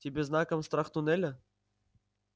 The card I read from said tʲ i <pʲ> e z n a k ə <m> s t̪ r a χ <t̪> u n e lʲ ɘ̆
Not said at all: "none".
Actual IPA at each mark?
bʲ, m, t̪

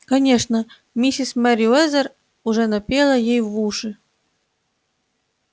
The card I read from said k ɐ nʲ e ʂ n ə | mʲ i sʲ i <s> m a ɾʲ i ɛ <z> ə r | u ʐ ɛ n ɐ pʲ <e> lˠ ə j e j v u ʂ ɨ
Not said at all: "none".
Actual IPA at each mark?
s, z, e

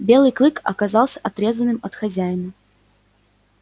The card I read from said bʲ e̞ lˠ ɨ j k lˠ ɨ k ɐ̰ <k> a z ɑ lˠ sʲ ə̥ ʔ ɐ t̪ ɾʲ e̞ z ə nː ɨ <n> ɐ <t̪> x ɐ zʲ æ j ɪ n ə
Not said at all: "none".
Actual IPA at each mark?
k, m, t̪

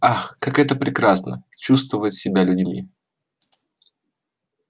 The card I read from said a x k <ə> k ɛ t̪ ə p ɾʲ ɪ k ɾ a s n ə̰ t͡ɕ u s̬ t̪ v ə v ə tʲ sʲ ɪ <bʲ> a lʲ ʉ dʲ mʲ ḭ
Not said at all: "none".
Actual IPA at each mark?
a, bʲ

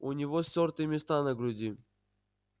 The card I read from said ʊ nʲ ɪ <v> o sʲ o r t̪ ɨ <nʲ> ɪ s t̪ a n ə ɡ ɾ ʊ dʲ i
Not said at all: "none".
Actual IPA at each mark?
v, mʲ

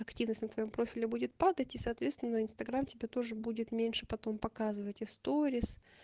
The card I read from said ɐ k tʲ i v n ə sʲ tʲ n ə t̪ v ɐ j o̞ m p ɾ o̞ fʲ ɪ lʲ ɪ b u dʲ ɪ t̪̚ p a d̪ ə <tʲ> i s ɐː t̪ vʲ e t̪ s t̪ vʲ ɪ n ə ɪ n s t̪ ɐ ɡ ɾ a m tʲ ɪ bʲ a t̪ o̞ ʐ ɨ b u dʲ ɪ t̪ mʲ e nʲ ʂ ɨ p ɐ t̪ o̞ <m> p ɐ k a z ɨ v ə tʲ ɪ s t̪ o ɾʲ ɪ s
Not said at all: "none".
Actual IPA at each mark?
tʲ, m

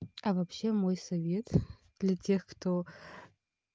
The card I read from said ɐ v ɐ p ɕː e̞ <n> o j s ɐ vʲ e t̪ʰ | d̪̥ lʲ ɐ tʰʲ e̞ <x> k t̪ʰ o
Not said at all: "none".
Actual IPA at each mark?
m, x

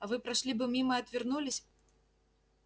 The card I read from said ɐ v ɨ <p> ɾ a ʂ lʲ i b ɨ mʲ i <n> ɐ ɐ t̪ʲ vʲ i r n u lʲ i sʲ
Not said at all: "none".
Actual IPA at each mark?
p, m

